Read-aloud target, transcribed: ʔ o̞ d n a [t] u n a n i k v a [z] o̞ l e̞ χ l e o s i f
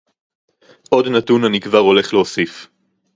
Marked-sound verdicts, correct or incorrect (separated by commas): correct, incorrect